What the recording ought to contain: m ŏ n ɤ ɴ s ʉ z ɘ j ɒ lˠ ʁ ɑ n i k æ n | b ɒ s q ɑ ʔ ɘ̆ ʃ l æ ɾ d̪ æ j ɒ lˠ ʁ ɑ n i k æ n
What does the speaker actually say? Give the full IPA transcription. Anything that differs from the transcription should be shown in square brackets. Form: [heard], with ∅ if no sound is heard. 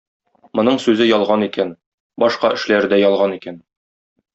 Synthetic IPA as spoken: m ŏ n ɤ ɴ s ʉ z ɘ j ɒ lˠ ʁ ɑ n i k æ n | b ɒ [ʃ] q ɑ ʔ ɘ̆ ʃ l æ ɾ d̪ æ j ɒ lˠ ʁ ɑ n i k æ n